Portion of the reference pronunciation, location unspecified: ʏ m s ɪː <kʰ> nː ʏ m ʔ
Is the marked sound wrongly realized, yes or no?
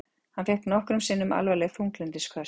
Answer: yes